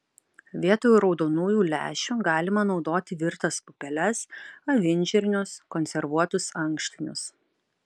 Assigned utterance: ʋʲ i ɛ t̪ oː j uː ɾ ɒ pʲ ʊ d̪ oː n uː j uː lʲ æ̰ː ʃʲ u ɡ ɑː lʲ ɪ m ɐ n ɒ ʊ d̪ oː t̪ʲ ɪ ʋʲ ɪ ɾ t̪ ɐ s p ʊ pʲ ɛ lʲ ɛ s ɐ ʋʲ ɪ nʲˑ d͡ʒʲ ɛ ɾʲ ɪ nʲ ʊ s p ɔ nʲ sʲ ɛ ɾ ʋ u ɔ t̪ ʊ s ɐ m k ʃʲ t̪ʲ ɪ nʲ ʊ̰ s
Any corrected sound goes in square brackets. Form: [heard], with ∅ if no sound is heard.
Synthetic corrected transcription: ʋʲ i ɛ t̪ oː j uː ɾ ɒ [∅] ʊ d̪ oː n uː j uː lʲ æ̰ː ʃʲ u ɡ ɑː lʲ ɪ m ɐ n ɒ ʊ d̪ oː t̪ʲ ɪ ʋʲ ɪ ɾ t̪ ɐ s p ʊ pʲ ɛ lʲ ɛ s ɐ ʋʲ ɪ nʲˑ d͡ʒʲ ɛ ɾʲ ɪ nʲ ʊ s [k] ɔ nʲ sʲ ɛ ɾ ʋ u ɔ t̪ ʊ s ɐ [ŋ] k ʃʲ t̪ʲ ɪ nʲ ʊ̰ s